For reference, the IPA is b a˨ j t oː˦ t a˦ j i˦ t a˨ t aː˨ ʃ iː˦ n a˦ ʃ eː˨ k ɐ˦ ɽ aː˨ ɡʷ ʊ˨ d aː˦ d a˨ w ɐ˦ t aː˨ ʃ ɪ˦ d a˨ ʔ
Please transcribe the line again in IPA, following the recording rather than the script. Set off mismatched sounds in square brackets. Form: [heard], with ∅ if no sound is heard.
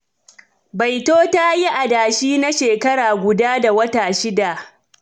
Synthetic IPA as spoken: b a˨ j t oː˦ t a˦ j i˦ [ʔ] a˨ [d] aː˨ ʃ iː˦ n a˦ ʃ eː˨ k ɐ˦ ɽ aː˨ ɡʷ ʊ˨ d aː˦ d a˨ w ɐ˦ t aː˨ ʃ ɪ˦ d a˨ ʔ

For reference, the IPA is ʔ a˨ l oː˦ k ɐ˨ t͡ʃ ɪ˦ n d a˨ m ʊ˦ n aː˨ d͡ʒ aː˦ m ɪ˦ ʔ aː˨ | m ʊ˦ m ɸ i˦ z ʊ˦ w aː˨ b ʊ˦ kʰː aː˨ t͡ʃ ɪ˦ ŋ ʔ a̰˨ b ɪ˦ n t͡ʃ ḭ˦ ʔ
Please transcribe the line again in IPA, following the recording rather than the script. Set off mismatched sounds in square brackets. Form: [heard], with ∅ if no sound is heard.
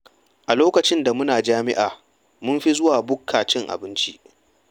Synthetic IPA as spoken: ʔ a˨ l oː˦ k ɐ˨ t͡ʃ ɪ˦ n d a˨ m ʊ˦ n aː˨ d͡ʒ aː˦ m ɪ˦ ʔ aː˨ | m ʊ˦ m ɸ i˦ z ʊ˦ w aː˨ b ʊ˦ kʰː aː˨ t͡ʃ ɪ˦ ŋ ʔ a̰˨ b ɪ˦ n t͡ʃ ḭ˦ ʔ

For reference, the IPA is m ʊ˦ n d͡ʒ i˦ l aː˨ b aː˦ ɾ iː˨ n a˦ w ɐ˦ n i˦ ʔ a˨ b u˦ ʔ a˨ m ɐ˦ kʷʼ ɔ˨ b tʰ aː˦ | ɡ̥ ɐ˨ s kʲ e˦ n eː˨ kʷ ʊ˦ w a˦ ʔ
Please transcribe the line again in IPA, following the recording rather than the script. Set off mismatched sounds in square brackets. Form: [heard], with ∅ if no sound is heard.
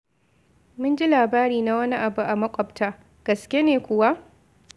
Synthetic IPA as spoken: m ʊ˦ n d͡ʒ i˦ l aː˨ b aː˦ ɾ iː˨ n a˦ w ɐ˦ n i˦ ʔ a˨ b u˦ ʔ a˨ m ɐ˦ kʷʼ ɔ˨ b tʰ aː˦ | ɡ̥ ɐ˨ s kʲ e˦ n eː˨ kʷ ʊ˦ w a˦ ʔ

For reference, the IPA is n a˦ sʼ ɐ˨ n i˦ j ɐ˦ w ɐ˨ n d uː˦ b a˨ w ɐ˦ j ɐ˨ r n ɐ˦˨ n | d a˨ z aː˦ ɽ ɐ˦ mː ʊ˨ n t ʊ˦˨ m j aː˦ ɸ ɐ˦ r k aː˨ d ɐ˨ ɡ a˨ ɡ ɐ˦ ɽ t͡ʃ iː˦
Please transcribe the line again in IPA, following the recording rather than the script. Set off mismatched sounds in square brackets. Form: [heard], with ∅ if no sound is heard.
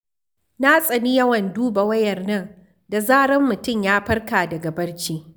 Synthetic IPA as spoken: n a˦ sʼ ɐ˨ n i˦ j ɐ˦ w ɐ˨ n d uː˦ b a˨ w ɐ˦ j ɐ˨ r n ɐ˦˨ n | d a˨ z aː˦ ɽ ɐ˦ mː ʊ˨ [∅] t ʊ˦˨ m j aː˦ ɸ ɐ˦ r k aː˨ d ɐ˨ ɡ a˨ [b] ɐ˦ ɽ t͡ʃ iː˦

